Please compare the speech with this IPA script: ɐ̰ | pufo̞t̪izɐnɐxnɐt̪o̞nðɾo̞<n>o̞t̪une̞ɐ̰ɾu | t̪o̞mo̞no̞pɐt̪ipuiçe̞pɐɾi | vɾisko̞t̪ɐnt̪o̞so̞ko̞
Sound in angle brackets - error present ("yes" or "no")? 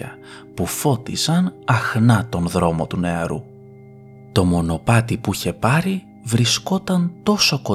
yes